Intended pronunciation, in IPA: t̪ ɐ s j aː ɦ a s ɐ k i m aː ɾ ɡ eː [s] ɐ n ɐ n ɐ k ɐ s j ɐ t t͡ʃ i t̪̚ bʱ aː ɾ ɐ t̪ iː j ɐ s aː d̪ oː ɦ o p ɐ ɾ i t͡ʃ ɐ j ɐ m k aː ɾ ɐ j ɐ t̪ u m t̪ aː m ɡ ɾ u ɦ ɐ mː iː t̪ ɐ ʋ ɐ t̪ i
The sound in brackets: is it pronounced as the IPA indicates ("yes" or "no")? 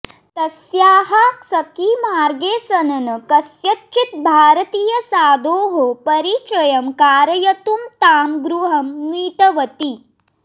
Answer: yes